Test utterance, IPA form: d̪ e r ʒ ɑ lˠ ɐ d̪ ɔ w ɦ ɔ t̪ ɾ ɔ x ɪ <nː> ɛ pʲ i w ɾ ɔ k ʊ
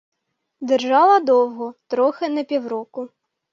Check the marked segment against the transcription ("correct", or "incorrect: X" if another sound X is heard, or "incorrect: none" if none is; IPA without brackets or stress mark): incorrect: n